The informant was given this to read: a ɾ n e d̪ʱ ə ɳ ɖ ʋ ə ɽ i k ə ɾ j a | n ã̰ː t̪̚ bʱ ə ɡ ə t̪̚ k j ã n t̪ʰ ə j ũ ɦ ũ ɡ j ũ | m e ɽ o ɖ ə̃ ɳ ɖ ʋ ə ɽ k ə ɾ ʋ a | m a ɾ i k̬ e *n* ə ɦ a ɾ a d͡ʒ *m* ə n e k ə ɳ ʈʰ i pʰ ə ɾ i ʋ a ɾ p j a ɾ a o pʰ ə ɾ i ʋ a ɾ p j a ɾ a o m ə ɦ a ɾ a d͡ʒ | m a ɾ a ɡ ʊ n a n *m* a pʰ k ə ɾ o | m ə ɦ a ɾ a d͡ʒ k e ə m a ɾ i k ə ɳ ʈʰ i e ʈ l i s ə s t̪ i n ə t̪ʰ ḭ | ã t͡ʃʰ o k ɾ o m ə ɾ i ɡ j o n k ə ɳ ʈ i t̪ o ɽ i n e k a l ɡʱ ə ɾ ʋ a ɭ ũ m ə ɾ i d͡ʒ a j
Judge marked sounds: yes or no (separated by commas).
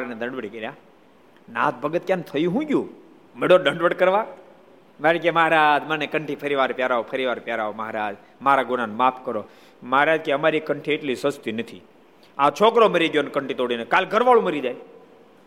no, yes, yes